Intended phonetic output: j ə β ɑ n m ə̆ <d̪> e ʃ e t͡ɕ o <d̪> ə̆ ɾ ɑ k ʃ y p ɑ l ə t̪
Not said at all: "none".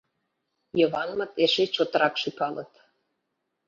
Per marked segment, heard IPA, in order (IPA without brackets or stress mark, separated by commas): t̪, t̪